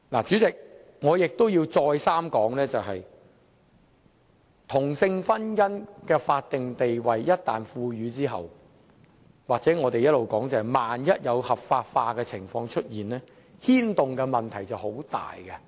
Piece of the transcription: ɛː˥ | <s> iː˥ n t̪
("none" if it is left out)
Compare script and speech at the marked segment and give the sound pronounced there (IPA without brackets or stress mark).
h